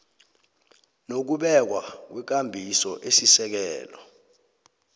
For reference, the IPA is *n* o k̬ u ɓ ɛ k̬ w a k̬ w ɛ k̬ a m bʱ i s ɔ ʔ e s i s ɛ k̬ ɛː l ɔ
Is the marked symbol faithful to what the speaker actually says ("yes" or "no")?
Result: yes